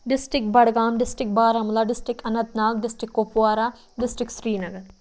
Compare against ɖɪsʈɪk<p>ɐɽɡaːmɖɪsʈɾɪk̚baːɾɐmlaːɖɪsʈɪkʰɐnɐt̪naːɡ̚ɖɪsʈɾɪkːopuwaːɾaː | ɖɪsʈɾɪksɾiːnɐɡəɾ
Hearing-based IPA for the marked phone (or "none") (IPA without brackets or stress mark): b